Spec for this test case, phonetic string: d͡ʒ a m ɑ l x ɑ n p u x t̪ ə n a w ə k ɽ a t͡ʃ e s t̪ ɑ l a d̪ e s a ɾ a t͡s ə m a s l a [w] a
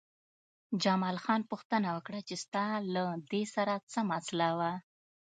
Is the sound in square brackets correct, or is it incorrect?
correct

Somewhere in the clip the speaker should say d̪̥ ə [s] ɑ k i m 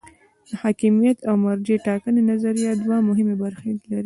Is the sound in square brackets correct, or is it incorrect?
incorrect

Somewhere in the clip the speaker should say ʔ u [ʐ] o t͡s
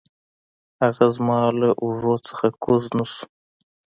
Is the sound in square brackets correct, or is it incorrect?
correct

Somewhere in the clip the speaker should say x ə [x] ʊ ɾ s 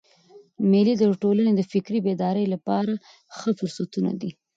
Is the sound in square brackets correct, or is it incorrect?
incorrect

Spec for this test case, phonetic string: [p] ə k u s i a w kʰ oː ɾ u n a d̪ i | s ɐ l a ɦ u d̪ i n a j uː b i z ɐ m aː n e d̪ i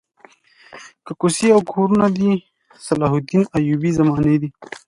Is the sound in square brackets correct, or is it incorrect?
incorrect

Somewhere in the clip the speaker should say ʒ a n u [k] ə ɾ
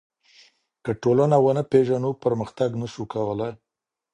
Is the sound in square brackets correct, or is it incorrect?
incorrect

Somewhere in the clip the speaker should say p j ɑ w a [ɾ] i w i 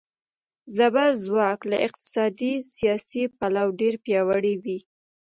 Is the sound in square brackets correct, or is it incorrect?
incorrect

